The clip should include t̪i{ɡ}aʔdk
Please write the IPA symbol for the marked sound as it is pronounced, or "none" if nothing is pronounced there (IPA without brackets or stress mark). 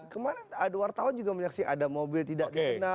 d